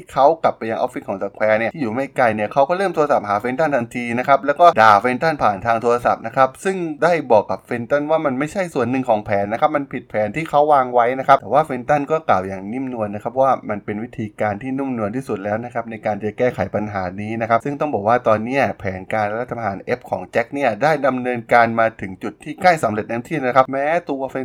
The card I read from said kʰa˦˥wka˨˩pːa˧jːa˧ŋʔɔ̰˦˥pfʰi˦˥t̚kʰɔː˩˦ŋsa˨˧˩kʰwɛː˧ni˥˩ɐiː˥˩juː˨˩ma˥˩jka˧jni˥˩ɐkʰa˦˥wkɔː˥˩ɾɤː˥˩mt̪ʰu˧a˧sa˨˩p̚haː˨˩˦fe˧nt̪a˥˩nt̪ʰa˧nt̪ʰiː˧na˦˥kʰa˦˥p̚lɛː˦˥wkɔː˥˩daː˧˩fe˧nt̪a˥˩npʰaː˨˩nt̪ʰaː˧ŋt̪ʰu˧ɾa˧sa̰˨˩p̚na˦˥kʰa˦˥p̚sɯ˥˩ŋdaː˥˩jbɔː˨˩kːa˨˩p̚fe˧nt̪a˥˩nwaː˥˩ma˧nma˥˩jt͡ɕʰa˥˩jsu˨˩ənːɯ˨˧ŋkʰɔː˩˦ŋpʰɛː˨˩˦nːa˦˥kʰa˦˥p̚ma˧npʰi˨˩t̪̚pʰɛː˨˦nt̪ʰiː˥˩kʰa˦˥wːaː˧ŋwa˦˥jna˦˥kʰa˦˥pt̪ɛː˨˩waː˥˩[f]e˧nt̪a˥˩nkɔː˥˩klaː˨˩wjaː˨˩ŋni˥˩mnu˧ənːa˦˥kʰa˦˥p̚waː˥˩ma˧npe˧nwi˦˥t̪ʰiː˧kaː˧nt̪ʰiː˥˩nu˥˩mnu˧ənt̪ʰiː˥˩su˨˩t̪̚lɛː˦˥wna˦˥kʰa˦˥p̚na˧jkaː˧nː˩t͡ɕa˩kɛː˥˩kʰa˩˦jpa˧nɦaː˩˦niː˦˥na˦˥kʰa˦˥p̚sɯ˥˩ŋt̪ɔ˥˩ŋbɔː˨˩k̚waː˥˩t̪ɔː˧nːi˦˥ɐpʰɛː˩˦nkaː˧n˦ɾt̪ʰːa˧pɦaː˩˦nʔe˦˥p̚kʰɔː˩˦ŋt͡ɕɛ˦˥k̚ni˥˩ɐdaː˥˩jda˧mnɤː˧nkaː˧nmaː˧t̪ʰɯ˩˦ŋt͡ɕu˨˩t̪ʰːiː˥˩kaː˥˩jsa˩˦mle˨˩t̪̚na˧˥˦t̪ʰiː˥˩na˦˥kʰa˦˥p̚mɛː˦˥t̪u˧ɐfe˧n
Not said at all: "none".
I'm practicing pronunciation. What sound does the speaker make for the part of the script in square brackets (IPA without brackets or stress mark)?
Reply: f